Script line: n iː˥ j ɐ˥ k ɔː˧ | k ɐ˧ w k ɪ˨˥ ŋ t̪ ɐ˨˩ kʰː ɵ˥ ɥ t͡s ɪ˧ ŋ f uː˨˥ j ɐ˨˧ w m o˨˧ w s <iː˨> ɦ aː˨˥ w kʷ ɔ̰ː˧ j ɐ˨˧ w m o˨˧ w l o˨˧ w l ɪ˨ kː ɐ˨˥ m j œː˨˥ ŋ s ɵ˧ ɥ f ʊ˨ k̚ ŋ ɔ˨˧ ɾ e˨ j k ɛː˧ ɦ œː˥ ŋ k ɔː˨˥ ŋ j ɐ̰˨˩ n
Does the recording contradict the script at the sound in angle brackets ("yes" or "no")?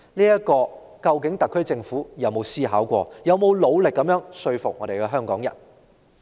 yes